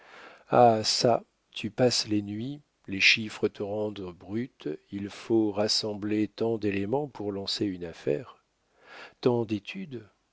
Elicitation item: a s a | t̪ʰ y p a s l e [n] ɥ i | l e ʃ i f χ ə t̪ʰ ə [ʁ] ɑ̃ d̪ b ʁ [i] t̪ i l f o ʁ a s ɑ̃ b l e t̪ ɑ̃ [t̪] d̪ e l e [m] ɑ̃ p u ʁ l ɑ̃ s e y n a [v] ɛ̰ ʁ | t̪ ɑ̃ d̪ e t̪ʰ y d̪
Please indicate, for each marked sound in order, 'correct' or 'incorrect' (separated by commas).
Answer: correct, correct, incorrect, incorrect, correct, incorrect